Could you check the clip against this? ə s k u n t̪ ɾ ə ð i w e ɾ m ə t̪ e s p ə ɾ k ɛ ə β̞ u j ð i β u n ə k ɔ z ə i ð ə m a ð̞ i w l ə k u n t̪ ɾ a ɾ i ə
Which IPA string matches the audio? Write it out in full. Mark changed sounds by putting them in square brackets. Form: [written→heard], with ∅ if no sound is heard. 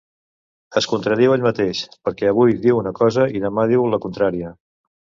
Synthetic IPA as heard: ə s k u n t̪ ɾ ə ð i w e [ɾ→ʎ] m ə t̪ e [s→ʃ] p ə ɾ k ɛ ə β̞ u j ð i [β→w] u n ə k ɔ z ə i ð ə m a ð̞ i w l ə k u n t̪ ɾ a ɾ i ə